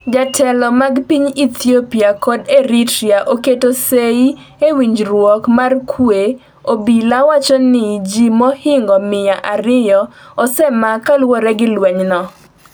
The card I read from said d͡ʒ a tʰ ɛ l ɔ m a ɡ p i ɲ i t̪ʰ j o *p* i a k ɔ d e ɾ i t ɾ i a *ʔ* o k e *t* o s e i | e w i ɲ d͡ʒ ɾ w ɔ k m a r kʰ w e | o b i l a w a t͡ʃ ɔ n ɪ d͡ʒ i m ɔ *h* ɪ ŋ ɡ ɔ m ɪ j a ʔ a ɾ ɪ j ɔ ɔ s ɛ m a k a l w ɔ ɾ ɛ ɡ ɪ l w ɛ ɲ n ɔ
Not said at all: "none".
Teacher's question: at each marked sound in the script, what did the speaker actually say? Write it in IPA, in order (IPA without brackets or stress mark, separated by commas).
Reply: p, ʔ, t, h